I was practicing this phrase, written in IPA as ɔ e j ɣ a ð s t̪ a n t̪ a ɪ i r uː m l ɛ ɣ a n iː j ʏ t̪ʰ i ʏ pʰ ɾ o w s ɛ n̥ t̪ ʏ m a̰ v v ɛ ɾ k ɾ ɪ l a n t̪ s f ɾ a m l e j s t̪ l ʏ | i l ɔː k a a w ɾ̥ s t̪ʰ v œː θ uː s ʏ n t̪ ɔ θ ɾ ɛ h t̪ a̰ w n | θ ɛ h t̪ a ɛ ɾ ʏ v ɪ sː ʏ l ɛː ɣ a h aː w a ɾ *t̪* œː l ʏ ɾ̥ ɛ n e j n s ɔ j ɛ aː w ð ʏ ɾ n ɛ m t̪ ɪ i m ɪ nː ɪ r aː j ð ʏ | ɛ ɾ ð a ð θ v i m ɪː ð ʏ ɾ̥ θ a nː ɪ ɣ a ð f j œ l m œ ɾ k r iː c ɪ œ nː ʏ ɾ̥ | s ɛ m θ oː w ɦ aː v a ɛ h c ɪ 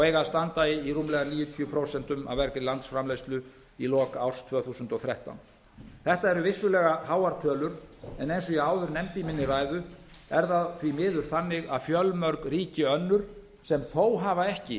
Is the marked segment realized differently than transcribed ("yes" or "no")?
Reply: yes